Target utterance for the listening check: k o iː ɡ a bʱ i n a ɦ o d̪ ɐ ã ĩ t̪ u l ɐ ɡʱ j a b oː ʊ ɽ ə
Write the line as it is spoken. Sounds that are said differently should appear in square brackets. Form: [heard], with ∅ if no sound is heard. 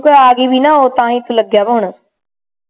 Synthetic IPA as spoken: k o [aː] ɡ [i] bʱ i n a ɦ o [t̪] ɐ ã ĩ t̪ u l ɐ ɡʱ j a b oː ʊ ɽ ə

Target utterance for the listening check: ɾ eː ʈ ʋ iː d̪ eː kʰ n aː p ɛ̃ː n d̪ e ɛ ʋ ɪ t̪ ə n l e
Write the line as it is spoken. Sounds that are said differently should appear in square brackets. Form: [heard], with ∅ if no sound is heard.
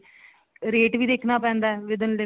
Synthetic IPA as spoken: ɾ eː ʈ ʋ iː d̪ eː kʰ n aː p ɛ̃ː n d̪ [a] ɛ ʋ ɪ [d̪] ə n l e

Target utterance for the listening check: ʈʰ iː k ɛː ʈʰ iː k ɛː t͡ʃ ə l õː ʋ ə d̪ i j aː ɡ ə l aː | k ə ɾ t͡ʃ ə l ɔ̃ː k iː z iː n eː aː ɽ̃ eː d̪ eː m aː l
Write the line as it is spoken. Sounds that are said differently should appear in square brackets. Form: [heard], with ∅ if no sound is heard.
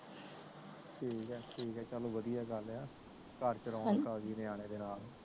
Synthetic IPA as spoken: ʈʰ iː k ɛː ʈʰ iː k ɛː t͡ʃ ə l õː ʋ ə d̪ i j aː ɡ ə l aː | k ə ɾ t͡ʃ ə [ɾ] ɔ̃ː k [aː] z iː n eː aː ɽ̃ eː d̪ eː [n] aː l

